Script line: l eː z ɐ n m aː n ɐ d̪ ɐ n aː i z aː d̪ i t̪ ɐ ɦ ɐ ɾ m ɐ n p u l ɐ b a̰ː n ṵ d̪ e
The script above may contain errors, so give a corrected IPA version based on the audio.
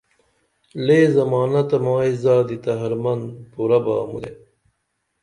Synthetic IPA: l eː z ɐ m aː n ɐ t̪ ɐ m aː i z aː d̪ i t̪ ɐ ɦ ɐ ɾ m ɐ n p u ɾ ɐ b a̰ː m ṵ d̪ e